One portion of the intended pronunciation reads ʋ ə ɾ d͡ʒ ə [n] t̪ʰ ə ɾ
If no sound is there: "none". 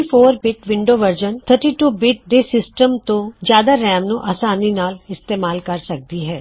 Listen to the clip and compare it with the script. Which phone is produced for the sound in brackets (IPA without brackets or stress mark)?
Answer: n